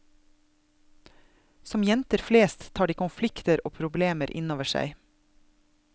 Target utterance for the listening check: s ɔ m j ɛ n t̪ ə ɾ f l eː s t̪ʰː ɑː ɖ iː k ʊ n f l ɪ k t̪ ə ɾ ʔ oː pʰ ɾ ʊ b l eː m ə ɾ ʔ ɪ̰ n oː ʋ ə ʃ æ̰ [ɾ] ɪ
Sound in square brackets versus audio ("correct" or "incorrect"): incorrect